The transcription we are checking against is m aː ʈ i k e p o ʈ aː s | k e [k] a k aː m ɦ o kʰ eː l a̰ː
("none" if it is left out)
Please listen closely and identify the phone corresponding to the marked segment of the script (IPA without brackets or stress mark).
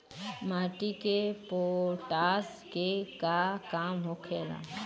k